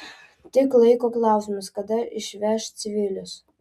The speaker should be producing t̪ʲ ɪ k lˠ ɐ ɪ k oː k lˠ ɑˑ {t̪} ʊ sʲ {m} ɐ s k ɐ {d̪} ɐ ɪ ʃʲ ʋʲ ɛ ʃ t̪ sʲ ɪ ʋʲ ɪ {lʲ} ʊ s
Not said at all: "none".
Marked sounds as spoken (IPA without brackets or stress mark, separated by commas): none, m, d̪, lʲ